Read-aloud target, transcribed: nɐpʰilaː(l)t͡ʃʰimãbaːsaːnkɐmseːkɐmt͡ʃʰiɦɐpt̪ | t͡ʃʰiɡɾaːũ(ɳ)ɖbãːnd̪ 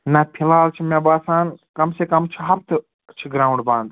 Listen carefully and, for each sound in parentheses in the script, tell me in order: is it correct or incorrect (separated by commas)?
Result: correct, correct